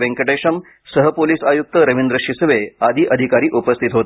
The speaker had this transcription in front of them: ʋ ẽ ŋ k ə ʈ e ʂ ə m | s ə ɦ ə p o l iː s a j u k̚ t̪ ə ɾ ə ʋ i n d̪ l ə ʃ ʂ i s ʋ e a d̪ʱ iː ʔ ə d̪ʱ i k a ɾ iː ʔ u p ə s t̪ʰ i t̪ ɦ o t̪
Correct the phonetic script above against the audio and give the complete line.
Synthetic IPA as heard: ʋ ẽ ŋ k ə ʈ e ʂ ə m | s ə ɦ ə p o l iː s a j u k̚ t̪ ə ɾ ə ʋ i n d̪ ɾ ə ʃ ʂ i s ʋ e a d̪ʱ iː ʔ ə d̪ʱ i k a ɾ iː ʔ u p ə s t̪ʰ i t̪ ɦ o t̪